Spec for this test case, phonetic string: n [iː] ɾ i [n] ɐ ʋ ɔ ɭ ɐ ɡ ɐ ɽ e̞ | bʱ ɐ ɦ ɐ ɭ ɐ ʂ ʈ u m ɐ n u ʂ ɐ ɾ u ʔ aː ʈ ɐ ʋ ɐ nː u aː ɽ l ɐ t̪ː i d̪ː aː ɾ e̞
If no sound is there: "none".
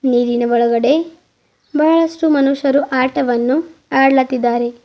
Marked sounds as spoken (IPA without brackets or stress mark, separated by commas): iː, n